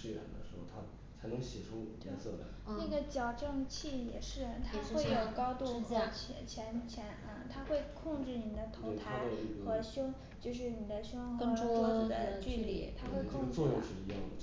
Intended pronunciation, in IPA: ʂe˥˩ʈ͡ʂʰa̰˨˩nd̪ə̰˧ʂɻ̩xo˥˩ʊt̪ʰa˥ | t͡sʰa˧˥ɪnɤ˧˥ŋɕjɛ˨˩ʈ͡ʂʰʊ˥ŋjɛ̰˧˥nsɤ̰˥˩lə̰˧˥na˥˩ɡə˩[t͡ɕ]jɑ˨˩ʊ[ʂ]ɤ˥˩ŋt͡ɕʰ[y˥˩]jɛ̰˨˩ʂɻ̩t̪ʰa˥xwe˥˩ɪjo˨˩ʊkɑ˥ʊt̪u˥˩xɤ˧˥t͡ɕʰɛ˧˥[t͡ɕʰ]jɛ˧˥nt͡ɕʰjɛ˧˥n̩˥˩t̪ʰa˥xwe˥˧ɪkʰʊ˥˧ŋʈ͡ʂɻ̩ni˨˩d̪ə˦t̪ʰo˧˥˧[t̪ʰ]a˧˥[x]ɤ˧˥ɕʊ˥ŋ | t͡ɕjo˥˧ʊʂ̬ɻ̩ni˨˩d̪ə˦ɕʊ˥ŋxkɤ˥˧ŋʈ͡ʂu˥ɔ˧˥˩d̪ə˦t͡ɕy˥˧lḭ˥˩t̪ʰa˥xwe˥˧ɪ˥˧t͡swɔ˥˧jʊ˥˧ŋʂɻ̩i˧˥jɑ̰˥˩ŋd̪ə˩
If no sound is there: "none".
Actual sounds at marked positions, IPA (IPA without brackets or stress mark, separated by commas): t͡ɕ, ʈ͡ʂ, i˥˩, t͡ɕʰ, t̪ʰ, x